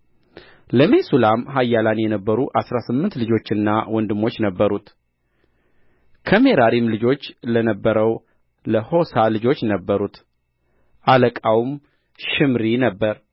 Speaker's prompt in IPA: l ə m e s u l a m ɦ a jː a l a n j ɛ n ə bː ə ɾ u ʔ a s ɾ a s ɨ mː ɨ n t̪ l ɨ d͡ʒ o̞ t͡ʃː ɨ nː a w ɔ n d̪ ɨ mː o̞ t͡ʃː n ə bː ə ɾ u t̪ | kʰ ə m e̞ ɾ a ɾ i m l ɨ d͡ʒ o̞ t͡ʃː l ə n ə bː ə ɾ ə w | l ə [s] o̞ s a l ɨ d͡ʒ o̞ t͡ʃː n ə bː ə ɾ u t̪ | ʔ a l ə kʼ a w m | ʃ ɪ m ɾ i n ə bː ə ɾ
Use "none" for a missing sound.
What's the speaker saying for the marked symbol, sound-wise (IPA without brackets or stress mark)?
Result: h